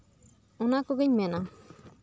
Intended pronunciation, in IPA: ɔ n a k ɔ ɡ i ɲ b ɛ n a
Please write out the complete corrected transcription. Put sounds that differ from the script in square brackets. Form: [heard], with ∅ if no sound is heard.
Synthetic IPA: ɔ n a k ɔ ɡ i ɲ [m] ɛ n a